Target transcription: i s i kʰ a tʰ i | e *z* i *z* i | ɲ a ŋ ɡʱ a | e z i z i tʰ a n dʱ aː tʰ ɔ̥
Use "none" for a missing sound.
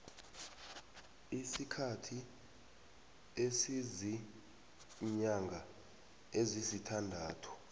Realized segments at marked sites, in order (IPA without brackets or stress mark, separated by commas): s, z